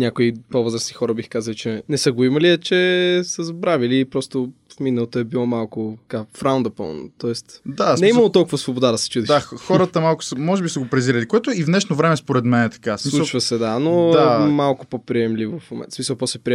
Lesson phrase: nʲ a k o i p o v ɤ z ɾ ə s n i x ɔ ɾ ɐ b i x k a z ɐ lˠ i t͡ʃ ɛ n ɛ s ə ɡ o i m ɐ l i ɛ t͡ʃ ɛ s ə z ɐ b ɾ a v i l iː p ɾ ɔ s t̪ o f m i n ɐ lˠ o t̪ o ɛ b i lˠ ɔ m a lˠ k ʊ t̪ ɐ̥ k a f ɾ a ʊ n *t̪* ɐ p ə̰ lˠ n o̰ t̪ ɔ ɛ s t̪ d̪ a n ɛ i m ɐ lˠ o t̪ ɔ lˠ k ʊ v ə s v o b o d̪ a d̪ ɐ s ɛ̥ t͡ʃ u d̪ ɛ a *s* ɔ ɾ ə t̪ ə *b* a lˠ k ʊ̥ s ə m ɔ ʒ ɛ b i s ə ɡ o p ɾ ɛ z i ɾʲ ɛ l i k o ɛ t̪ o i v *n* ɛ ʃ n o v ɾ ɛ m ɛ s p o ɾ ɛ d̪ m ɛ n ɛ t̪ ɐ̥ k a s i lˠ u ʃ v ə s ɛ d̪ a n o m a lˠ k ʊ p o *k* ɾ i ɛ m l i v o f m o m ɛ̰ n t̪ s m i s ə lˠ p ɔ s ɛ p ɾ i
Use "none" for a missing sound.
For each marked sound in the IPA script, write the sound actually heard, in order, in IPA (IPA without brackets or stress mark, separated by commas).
d̪, x, m, n, p